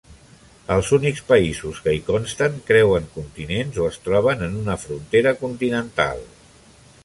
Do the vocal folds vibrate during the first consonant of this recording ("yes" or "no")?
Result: yes